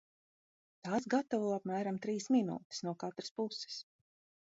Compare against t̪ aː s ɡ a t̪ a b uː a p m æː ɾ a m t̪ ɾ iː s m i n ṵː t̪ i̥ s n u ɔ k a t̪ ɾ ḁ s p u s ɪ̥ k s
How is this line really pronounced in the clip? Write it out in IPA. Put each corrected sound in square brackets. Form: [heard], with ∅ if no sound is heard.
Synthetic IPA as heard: t̪ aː s ɡ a t̪ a [v] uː a p m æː ɾ a m t̪ ɾ iː s m i n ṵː t̪ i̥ s n u ɔ k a t̪ ɾ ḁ s p u s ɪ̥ [∅] s